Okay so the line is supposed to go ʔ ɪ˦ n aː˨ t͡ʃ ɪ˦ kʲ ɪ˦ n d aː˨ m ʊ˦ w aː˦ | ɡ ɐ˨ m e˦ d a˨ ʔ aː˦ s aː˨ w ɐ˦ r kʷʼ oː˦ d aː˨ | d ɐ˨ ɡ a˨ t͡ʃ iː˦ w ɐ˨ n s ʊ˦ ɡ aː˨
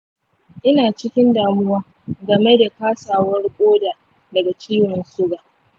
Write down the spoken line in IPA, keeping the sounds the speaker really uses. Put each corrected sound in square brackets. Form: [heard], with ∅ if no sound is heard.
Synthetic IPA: ʔ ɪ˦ n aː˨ t͡ʃ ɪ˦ kʲ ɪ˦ n d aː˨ m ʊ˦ w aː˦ | ɡ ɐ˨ m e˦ d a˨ [k] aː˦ s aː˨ w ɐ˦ r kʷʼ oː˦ d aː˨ | d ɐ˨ ɡ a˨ t͡ʃ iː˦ w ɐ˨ n s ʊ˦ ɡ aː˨

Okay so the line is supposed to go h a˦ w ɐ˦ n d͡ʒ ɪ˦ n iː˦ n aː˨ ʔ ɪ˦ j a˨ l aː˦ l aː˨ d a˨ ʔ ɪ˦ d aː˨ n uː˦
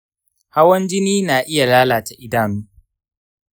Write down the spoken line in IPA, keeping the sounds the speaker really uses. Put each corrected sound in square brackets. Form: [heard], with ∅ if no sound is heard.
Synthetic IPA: h a˦ w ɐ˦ n d͡ʒ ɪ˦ n iː˦ n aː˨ ʔ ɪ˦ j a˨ l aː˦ l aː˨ [t] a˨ ʔ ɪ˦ d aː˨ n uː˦

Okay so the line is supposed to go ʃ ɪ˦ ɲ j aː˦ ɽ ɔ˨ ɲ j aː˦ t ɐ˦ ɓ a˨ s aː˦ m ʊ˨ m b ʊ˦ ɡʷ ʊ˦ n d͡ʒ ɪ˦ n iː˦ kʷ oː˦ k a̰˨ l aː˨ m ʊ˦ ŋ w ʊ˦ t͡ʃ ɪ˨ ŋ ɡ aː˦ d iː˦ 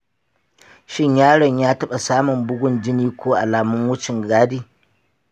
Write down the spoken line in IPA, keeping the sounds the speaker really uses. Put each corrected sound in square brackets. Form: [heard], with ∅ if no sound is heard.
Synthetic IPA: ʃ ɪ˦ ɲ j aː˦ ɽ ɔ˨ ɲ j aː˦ t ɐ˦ ɓ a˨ s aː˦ m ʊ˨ m b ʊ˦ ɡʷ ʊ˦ n d͡ʒ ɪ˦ n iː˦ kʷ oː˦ [ʔ] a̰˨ l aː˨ m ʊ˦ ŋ w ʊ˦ t͡ʃ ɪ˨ ŋ ɡ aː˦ d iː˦

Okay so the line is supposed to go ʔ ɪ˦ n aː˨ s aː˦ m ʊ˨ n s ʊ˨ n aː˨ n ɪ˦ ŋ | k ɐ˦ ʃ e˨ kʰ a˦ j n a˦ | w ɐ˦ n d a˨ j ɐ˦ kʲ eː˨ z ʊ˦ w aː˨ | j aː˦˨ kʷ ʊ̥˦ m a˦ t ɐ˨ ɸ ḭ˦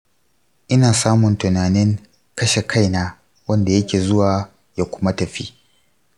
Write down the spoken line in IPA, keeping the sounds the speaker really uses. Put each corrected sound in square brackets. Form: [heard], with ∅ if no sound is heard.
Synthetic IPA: ʔ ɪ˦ n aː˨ s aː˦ m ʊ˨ n [t] ʊ˨ n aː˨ n ɪ˦ ŋ | k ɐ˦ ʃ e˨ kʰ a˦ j n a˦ | w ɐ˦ n d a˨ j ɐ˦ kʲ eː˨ z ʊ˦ w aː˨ | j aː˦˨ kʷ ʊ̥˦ m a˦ t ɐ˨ ɸ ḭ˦

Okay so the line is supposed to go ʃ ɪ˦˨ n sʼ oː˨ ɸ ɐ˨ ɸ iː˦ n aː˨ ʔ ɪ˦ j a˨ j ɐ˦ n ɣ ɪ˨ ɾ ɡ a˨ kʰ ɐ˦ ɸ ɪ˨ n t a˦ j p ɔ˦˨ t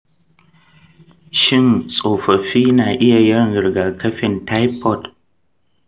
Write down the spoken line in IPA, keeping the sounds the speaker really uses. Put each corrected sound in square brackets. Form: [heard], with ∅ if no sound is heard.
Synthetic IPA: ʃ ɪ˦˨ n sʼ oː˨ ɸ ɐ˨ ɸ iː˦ n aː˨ ʔ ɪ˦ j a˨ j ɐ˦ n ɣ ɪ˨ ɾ ɡ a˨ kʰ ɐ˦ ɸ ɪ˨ n t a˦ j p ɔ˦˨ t

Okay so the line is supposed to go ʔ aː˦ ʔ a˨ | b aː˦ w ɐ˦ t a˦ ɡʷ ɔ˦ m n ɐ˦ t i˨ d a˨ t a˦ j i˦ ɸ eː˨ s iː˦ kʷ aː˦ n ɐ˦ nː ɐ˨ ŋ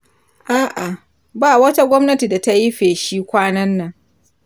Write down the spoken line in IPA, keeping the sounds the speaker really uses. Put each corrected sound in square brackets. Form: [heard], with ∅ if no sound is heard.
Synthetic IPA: ʔ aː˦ ʔ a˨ | b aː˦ w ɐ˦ t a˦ ɡʷ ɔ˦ m n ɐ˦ t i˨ d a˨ t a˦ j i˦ ɸ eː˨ [ʃ] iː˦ kʷ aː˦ n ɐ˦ nː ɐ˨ ŋ

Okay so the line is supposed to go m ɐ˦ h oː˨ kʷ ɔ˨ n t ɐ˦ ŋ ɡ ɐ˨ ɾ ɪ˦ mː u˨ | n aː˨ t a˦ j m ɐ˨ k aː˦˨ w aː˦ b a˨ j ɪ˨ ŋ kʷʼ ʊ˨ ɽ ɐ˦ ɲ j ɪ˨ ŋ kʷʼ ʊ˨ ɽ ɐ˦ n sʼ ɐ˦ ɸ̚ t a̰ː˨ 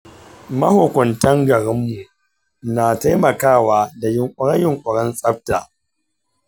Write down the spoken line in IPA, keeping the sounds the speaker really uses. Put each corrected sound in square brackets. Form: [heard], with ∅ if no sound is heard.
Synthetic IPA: m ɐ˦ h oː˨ kʷ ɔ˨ n t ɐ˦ ŋ ɡ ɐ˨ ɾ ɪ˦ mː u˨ | n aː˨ t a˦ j m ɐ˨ k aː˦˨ w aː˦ [d] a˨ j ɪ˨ ŋ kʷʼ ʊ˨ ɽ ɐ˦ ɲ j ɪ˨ ŋ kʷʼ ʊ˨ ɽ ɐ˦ n sʼ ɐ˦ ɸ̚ t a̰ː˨

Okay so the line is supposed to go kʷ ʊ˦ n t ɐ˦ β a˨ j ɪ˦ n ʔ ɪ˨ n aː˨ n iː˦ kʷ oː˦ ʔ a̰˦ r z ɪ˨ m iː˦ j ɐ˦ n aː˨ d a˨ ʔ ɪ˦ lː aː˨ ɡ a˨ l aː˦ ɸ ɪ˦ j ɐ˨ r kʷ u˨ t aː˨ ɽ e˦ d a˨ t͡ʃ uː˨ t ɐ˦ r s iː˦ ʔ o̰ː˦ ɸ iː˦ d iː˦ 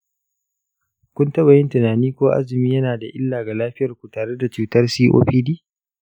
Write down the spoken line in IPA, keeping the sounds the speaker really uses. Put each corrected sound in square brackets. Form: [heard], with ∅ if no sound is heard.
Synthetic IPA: kʷ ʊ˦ n t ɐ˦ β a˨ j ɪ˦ n [t] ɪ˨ n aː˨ n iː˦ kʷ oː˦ ʔ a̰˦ [∅] z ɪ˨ m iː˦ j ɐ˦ n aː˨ d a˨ ʔ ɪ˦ lː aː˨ ɡ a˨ l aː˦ ɸ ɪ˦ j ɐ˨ r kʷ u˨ t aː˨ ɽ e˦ d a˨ t͡ʃ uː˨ t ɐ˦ r s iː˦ ʔ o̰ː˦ ɸ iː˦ d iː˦

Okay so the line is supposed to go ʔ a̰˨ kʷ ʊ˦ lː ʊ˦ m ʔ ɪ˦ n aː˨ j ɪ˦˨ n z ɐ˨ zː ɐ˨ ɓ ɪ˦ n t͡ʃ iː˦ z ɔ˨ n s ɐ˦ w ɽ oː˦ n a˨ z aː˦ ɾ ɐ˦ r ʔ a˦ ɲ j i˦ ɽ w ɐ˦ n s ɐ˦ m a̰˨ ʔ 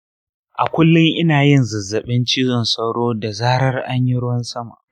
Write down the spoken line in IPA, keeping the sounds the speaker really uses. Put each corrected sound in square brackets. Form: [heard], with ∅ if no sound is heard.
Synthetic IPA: ʔ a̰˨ kʷ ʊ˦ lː ʊ˦ [ŋ] ʔ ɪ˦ n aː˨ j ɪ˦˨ n z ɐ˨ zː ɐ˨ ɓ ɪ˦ n t͡ʃ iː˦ z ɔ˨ n s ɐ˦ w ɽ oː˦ [d] a˨ z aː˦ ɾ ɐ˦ r ʔ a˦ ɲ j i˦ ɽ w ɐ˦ n s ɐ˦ m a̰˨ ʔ

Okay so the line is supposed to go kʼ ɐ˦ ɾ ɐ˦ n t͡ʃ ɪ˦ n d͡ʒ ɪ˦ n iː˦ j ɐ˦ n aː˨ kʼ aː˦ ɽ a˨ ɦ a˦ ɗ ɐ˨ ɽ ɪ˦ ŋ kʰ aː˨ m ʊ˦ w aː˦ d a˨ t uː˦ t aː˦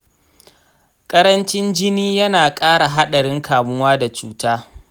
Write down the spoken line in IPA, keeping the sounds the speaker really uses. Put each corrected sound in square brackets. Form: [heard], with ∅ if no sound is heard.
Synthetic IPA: kʼ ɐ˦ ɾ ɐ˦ n t͡ʃ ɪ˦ n d͡ʒ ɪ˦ n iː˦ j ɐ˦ n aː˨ kʼ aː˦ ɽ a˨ ɦ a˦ ɗ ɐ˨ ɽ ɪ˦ ŋ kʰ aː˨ m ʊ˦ w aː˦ d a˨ [t͡ʃ] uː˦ t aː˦

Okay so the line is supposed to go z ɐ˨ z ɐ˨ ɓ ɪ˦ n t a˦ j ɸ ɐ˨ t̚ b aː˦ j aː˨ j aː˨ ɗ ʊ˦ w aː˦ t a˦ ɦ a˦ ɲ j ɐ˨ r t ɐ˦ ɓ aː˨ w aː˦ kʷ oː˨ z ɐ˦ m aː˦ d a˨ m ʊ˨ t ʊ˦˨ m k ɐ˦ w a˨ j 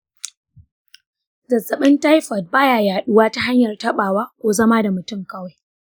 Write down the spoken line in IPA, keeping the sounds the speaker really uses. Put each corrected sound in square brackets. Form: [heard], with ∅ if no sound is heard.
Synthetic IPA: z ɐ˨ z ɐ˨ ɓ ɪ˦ n t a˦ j ɸ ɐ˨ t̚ b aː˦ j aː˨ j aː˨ ɗ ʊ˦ w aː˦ t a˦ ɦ a˦ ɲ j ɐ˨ r t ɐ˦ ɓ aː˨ w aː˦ kʷ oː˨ z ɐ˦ m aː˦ d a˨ m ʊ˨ t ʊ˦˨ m k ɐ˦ w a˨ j

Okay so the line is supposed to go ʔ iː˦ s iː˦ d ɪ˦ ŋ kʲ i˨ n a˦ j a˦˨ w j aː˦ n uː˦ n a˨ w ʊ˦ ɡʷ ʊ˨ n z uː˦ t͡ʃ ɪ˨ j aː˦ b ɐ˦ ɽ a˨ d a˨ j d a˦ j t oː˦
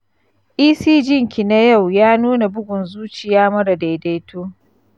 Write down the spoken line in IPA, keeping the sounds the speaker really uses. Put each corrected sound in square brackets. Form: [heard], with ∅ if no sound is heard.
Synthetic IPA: ʔ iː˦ s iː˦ [d͡ʒ] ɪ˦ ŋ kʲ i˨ n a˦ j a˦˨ w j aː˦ n uː˦ n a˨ [b] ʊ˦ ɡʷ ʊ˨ n z uː˦ t͡ʃ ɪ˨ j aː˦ [m] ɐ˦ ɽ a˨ d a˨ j d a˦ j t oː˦

